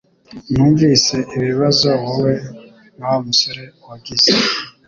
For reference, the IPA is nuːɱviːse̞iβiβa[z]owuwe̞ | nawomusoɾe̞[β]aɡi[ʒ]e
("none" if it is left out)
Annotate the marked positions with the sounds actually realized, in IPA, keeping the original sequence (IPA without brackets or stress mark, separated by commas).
z, w, z